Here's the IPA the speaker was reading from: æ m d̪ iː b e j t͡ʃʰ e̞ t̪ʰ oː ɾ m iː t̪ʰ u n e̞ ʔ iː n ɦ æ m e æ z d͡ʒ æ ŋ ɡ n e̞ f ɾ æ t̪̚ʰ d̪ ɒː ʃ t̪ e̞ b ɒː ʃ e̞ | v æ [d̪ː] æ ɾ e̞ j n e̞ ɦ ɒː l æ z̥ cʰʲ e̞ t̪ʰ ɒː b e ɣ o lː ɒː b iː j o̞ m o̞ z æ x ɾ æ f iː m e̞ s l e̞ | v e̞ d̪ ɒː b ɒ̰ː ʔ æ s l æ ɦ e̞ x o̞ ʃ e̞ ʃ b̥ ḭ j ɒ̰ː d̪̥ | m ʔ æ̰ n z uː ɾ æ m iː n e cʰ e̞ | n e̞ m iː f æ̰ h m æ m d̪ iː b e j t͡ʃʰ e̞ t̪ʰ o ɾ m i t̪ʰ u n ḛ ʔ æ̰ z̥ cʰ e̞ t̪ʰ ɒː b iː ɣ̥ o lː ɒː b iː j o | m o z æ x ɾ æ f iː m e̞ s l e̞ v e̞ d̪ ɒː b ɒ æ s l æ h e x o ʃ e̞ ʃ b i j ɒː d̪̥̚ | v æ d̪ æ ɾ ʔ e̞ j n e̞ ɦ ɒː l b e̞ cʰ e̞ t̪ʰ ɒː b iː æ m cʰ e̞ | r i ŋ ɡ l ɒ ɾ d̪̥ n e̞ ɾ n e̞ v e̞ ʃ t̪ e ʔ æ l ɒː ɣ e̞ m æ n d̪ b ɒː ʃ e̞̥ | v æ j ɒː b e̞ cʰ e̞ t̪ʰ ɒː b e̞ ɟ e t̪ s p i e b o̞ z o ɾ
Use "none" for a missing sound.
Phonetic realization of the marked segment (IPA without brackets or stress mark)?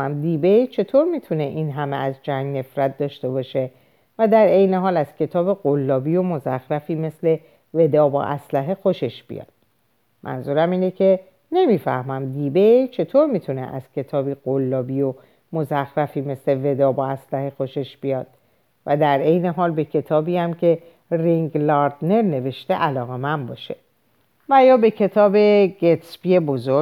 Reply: d̪